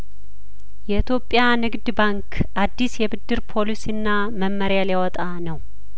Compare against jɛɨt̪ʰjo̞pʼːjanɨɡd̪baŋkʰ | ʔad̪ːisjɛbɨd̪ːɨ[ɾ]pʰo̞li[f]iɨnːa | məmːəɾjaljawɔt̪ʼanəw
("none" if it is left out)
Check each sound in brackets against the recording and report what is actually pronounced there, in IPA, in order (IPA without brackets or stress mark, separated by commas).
ɾ, s